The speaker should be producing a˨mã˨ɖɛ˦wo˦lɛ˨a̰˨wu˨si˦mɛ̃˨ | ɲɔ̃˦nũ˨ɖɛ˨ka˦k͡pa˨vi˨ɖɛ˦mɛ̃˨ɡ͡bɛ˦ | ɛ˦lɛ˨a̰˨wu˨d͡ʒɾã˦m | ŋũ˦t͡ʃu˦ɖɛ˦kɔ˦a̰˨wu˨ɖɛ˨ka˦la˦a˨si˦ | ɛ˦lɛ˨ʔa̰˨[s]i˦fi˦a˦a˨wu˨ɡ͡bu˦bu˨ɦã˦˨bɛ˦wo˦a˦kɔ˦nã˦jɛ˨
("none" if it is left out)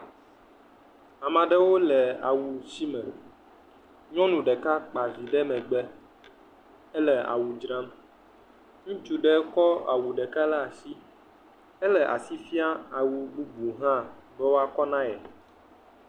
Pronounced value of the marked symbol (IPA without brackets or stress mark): s